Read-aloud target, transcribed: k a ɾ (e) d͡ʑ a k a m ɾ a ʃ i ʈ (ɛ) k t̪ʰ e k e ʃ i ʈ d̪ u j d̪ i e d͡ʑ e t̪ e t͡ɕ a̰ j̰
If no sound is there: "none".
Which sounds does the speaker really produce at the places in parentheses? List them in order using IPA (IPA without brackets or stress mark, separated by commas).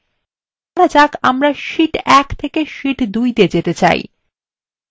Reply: a, ɛ